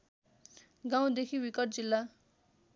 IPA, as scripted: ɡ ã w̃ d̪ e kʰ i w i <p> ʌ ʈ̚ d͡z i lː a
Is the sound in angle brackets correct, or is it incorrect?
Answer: incorrect